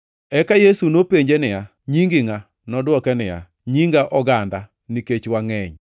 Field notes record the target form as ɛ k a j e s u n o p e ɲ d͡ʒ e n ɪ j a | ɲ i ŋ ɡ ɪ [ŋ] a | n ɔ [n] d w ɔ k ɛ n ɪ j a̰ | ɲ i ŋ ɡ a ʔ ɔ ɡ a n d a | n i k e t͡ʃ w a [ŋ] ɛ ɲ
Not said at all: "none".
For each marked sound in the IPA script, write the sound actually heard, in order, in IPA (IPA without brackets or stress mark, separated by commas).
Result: ŋ, none, ŋ